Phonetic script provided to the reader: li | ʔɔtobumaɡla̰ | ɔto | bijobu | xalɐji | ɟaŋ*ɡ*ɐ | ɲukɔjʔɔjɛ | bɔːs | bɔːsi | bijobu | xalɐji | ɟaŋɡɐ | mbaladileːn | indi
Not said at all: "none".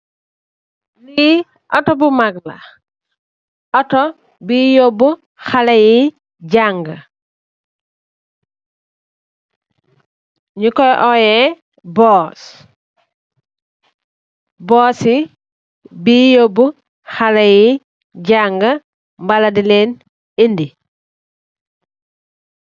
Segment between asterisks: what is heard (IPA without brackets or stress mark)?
ɡ